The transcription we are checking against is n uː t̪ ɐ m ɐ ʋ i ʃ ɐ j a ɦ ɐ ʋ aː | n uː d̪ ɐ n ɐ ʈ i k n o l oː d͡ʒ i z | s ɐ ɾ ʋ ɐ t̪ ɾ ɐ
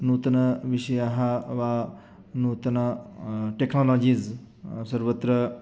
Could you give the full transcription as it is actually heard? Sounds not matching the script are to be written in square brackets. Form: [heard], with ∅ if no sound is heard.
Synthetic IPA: n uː t̪ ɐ [n] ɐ ʋ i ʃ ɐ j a ɦ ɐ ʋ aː | n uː [t̪] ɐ n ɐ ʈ [e] k n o l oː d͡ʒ i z | s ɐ ɾ ʋ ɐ t̪ ɾ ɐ